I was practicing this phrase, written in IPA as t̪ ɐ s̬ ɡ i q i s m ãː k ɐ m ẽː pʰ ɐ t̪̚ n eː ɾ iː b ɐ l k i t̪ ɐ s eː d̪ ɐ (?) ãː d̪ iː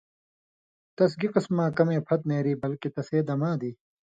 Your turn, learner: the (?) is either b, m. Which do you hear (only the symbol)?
m